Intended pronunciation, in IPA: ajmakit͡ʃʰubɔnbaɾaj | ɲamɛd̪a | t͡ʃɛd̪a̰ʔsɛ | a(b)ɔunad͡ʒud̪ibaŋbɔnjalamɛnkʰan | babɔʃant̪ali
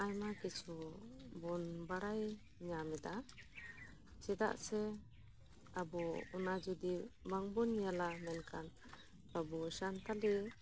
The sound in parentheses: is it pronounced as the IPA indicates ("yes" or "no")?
yes